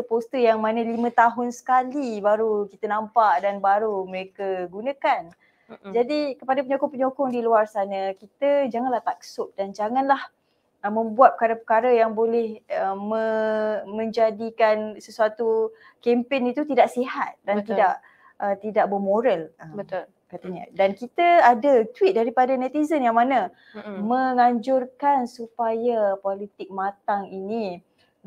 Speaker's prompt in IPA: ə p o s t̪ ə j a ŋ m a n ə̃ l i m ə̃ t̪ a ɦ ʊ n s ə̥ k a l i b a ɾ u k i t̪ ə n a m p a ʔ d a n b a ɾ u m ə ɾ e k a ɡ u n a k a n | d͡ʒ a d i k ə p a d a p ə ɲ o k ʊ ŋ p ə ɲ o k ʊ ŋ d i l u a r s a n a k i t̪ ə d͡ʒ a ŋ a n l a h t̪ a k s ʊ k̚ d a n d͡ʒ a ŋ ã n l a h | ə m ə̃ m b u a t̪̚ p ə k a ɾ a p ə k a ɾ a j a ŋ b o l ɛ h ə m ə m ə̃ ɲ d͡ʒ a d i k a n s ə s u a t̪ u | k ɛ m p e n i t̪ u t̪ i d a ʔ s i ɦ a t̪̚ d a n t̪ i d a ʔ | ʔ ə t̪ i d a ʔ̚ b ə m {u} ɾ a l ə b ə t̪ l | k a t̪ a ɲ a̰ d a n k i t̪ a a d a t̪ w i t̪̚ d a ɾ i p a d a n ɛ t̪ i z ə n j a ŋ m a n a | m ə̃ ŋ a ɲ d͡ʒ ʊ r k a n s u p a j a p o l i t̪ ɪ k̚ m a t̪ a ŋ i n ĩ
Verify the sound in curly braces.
incorrect: o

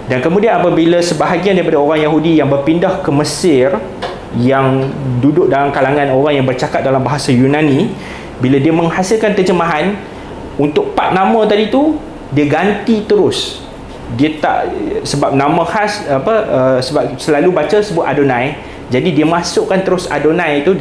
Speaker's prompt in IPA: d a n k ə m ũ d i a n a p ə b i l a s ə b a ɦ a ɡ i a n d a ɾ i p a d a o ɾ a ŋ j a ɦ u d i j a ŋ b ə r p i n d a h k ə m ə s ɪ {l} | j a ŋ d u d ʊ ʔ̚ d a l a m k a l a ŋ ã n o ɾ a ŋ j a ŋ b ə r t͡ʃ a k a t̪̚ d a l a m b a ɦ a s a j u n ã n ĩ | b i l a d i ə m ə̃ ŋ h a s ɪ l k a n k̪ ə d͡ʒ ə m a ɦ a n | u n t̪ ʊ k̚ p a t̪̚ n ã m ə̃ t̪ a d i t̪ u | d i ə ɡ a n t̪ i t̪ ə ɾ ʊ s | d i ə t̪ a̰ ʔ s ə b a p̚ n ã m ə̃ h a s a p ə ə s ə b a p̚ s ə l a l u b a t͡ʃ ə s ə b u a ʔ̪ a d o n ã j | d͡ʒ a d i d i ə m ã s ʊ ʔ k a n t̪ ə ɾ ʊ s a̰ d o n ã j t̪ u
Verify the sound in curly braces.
incorrect: r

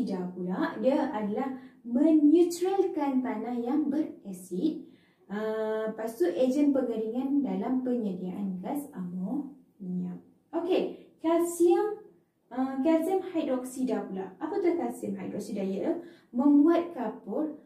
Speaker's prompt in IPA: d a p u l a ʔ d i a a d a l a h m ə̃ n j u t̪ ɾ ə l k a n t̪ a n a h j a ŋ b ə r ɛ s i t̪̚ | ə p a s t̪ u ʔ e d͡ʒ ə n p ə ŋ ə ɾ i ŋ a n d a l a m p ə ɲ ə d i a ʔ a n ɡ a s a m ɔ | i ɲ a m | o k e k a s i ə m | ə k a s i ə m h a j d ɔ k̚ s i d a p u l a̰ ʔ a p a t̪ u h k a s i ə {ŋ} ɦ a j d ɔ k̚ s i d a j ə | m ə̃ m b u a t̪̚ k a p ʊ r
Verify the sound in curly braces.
incorrect: m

